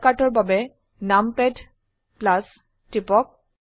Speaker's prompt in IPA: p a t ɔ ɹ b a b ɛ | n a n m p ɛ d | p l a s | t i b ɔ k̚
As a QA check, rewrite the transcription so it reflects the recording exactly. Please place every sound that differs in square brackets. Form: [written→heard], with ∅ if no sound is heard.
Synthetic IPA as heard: [p→k] a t ɔ ɹ b a b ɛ | n a [n→∅] m p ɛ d | p l a s | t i [b→p] ɔ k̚